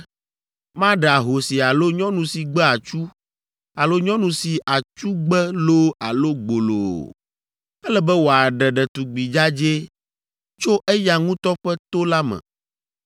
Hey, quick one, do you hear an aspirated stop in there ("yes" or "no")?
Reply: no